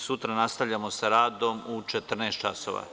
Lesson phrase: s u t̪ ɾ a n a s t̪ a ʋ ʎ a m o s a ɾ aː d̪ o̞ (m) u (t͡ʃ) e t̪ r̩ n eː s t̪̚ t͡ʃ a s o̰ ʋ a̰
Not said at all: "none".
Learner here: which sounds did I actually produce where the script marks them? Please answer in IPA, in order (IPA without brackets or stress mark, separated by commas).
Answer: m, t͡ʃ